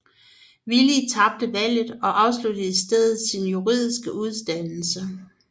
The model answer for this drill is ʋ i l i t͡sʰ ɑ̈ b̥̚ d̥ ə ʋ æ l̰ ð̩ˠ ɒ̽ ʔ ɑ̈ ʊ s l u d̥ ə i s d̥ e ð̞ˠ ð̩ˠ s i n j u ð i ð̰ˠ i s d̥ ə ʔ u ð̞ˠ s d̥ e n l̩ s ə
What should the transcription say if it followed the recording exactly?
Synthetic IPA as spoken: ʋ i l i t͡sʰ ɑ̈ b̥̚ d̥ ə ʋ æ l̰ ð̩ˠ ɒ̽ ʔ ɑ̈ ʊ s l u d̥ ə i s d̥ e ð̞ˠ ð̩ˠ s i n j u ʁ i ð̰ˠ i s ɡ̥ ə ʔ u ð̞ˠ s d̥ æ n l̩ s ə